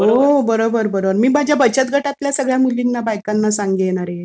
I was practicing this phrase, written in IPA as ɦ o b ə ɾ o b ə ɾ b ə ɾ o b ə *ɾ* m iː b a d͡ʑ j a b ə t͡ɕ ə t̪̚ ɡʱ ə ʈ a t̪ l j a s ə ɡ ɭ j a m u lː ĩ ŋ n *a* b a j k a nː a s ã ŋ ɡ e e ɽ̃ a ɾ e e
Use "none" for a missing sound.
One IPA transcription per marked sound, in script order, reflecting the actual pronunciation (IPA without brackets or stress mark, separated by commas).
ɾ, a